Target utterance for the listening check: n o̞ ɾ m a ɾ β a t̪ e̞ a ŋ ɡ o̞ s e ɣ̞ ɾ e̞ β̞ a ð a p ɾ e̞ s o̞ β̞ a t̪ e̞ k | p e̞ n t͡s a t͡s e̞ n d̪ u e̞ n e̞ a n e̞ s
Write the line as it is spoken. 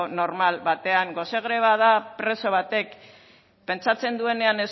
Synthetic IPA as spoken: n o̞ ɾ m a l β a t̪ e̞ a ŋ ɡ o̞ s e ɣ̞ ɾ e̞ β̞ a ð a p ɾ e̞ s o̞ β̞ a t̪ e̞ k | p e̞ n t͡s a t͡s e̞ n d̪ u e̞ n e̞ a n e̞ s